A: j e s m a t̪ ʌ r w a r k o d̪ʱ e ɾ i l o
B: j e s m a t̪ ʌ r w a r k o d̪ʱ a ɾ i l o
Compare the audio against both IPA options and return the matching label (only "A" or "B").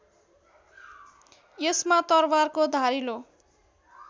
B